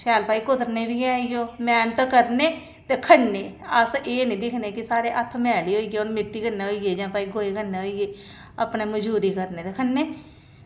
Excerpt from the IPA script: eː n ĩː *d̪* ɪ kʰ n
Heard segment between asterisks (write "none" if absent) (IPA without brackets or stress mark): d̪